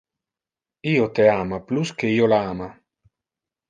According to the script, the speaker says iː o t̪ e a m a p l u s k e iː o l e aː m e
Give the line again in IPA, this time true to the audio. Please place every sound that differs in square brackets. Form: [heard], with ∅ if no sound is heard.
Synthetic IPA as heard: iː o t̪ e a m a p l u s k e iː o l [a] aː m [a]